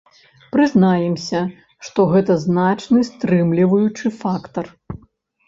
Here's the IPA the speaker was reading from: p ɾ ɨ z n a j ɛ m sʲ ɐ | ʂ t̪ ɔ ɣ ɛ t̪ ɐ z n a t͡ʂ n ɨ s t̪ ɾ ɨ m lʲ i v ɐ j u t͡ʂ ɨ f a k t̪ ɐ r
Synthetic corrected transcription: p ɾ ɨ z n a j ɛ m sʲ ɐ | ʂ t̪ ɔ ɣ ɛ t̪ ɐ z n a t͡ʂ n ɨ s t̪ ɾ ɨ m lʲ i v ɐ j u t͡ʂ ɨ f a k t̪ ɐ r